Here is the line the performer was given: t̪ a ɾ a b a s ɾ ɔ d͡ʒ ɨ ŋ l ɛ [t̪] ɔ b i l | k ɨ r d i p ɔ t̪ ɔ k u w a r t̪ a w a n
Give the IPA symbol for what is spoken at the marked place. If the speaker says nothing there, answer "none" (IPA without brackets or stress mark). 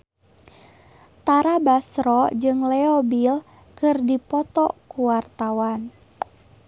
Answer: none